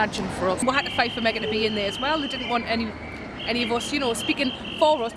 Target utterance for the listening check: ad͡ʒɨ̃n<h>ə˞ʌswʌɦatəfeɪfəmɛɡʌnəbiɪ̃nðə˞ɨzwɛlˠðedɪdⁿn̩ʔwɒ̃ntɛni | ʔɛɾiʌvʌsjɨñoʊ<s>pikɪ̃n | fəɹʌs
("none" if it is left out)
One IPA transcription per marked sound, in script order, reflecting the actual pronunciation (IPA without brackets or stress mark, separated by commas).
f, s